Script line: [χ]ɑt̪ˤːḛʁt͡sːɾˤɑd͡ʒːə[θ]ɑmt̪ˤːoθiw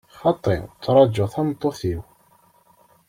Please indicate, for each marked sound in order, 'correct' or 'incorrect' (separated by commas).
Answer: correct, correct